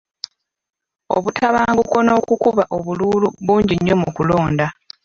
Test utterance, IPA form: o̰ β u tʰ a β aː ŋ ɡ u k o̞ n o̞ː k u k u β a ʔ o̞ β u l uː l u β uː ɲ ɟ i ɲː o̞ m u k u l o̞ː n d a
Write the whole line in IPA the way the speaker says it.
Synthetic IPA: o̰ β u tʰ a β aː ŋ ɡ u k o̞ n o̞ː k u k u β a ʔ o̞ β u l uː l u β uː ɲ ɟ i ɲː o̞ m u k u l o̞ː n d a